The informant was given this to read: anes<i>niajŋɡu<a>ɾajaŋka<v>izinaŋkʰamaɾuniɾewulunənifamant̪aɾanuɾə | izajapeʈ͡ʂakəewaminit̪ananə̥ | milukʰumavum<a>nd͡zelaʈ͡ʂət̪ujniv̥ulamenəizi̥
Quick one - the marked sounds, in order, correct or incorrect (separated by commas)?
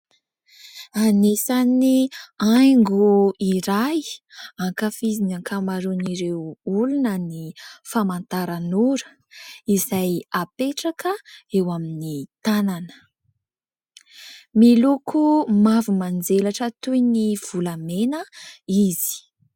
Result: incorrect, incorrect, incorrect, correct